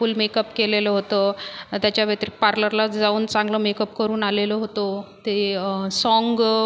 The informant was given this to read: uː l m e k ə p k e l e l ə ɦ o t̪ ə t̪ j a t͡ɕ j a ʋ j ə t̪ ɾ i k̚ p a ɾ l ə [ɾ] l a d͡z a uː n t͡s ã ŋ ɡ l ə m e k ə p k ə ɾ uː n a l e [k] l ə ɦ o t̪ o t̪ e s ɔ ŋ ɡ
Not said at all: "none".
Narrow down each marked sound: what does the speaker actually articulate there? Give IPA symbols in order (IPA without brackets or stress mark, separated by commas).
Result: ɾ, none